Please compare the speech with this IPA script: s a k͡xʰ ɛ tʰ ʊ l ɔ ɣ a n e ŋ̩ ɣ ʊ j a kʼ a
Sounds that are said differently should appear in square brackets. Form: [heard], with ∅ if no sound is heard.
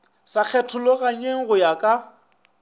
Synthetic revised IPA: s a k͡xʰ ɛ tʰ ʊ l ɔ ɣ a [ɲ] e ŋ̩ ɣ ʊ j a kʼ a